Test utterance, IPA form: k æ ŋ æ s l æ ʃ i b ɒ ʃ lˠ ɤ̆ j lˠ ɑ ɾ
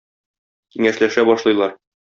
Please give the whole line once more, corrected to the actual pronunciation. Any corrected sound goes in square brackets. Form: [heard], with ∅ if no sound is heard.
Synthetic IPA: k [i] ŋ æ [ʃ] l æ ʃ [æ] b ɒ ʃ lˠ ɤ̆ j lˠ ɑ ɾ